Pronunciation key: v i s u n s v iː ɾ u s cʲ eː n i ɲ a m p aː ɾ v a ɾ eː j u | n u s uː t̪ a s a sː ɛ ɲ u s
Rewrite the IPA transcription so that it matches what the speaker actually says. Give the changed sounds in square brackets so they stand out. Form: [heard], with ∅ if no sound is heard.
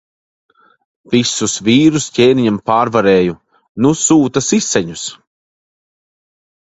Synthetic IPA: v i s u [∅] s v iː ɾ u s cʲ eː n i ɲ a m p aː ɾ v a ɾ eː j u | n u s uː t̪ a s [i] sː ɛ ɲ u s